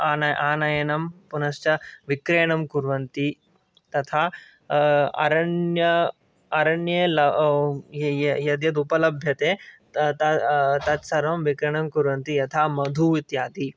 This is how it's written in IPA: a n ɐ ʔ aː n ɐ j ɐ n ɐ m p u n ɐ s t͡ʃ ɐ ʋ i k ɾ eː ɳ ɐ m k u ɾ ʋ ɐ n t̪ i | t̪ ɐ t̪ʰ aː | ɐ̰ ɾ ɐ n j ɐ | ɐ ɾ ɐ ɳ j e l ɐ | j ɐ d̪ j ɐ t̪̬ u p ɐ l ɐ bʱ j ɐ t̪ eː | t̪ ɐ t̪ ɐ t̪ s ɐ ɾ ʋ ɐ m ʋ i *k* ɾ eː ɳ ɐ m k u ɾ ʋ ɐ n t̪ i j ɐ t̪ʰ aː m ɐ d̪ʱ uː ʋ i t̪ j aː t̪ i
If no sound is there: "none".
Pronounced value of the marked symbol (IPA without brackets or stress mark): k